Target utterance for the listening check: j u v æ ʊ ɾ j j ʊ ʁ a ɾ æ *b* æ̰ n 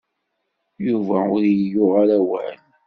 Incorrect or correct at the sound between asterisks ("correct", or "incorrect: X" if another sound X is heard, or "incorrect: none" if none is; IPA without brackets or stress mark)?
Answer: incorrect: w